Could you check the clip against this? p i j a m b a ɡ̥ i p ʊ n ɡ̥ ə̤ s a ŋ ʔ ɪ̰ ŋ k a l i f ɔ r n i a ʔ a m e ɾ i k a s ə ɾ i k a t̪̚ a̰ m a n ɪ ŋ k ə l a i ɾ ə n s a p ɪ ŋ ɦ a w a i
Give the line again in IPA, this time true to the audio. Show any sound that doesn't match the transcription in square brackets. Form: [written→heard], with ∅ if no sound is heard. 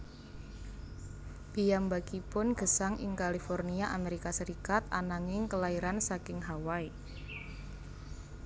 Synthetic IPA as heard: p i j a m b a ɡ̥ i p ʊ n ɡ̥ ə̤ s a ŋ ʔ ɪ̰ ŋ k a l i f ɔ r n i a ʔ a m e ɾ i k a s ə ɾ i k a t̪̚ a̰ [m→n] a [n→ŋ] ɪ ŋ k ə l a i ɾ [ə→a] n s a [p→k] ɪ ŋ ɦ a w a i